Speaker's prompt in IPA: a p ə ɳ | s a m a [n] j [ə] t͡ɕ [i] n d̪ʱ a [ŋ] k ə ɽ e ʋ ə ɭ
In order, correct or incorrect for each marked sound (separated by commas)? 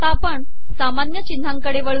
correct, correct, correct, correct